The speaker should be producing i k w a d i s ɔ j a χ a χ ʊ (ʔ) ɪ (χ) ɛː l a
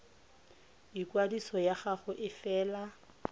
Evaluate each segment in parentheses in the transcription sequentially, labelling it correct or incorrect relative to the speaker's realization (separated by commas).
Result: correct, incorrect